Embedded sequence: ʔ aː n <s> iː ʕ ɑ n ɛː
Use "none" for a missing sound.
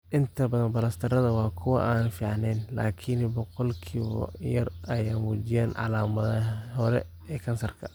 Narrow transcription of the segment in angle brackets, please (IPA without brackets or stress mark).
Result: f